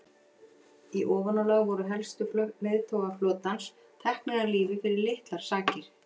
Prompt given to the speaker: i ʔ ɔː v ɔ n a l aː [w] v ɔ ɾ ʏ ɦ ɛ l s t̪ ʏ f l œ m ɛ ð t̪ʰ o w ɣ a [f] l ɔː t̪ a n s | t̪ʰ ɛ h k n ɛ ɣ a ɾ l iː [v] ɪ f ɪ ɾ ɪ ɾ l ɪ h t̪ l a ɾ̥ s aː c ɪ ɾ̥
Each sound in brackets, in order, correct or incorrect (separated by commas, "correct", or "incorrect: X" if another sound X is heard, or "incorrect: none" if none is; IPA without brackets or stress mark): incorrect: ɣ, correct, correct